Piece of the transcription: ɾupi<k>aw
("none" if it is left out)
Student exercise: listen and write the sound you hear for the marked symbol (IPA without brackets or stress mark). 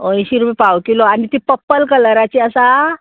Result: p